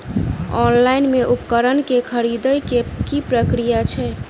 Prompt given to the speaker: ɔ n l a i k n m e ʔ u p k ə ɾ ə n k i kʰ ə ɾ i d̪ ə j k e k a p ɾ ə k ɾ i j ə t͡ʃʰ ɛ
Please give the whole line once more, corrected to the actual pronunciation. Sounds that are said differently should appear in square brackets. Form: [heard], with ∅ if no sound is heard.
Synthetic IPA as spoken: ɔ n l a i [∅] n m e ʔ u p k ə ɾ ə n k [e] kʰ ə ɾ i d̪ ə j k e k [i] p ɾ ə k ɾ i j [a] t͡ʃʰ ɛ